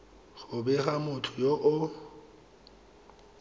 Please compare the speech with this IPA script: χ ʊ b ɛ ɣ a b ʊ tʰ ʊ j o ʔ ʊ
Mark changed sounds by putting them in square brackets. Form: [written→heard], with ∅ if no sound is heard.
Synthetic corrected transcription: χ ʊ b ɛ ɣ a [b→m] ʊ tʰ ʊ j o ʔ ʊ